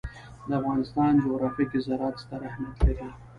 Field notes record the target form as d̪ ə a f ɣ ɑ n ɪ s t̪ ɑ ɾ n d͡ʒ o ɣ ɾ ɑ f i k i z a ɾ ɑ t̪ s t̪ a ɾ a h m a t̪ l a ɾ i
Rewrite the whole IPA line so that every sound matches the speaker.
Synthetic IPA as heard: d̪ ə a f ɣ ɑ n ɪ s t̪ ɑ n d͡ʒ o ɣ ɾ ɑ f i k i z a ɾ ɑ t̪ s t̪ a ɾ a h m a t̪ l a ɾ i